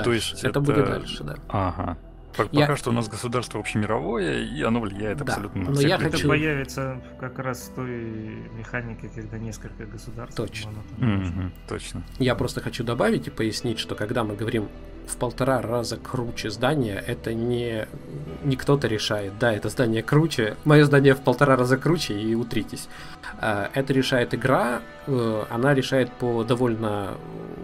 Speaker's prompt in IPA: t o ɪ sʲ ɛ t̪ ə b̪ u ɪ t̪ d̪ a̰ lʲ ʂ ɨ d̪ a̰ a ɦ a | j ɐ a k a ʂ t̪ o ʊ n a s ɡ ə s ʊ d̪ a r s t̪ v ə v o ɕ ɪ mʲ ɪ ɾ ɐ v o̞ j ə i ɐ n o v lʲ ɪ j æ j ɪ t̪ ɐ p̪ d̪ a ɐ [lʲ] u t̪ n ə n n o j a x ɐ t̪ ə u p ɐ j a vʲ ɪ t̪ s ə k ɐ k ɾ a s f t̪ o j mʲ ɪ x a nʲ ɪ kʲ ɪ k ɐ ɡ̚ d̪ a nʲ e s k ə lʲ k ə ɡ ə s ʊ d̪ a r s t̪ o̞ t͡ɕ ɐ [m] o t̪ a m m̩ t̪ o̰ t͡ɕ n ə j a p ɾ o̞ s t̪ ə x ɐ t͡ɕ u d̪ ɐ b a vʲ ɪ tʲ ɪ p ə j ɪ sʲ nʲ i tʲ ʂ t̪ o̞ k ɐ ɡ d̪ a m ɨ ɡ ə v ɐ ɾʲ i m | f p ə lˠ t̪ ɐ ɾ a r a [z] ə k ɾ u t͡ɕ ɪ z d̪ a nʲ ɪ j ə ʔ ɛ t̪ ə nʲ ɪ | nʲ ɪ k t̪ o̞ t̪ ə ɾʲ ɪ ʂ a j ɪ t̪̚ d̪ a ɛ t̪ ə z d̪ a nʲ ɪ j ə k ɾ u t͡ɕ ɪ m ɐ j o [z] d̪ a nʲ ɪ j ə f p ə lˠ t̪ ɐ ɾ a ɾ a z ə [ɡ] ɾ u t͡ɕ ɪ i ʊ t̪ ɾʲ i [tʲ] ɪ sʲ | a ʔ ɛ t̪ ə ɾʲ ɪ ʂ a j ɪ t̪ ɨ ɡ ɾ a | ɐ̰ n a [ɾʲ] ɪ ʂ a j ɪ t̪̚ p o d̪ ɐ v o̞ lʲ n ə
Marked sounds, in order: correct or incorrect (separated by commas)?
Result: correct, incorrect, correct, correct, incorrect, correct, correct